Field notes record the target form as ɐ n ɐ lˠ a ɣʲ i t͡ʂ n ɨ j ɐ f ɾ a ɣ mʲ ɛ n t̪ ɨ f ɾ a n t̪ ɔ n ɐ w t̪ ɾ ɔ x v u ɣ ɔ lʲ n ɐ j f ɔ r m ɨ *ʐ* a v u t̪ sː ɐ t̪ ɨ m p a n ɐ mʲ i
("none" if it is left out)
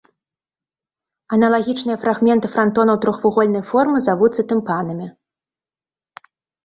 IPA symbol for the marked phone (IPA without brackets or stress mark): z